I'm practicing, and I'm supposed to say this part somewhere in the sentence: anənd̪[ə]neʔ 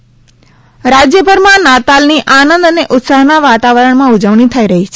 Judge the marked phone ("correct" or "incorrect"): correct